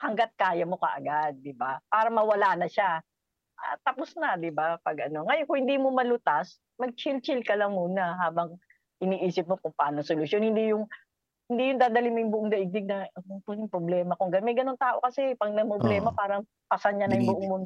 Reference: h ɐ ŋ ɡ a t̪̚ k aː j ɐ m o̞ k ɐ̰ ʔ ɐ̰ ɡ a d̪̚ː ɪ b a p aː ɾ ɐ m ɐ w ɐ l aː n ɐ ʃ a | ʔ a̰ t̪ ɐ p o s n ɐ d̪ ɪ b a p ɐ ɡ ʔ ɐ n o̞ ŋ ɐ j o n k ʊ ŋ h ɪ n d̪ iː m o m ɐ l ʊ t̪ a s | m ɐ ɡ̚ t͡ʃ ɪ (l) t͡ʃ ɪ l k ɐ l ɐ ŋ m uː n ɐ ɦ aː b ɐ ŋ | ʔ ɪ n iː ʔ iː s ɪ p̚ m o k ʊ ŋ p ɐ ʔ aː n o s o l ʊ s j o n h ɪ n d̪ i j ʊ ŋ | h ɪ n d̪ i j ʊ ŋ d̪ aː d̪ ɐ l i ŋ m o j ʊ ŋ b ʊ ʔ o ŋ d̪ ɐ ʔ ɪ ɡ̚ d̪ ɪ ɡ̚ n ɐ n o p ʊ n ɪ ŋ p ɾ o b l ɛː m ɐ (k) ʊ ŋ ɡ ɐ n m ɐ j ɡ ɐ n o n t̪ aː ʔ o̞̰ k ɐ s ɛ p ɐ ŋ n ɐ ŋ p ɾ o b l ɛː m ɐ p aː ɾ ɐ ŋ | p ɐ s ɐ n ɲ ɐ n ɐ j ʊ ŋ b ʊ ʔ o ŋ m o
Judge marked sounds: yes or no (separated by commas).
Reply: yes, yes